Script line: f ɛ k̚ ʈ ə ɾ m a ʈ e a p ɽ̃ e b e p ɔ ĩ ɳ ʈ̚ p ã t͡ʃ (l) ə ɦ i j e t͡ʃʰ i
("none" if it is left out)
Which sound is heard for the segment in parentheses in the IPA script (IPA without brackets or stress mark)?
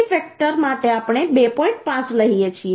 l